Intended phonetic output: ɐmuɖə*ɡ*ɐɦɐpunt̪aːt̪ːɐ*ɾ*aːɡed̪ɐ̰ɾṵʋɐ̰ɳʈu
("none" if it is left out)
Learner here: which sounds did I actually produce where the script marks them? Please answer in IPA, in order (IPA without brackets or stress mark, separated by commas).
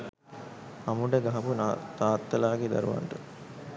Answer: ɡ, l